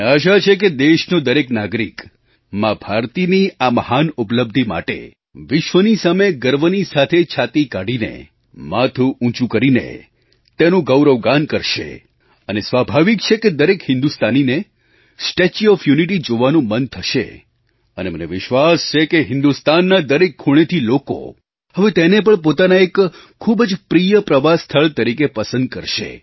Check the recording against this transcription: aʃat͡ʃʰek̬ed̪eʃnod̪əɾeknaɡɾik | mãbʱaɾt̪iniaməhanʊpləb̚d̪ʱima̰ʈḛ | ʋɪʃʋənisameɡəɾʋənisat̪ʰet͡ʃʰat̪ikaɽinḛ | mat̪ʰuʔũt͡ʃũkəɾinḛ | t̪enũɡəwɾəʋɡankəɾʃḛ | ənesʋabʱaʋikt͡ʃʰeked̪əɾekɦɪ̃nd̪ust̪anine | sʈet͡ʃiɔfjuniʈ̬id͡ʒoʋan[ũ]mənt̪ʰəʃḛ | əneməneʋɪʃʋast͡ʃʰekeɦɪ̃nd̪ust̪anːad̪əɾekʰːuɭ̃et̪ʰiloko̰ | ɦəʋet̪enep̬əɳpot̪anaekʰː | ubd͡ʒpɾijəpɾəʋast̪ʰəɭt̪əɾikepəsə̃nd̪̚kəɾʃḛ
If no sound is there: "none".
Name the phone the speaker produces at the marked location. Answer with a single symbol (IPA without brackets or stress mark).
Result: ũ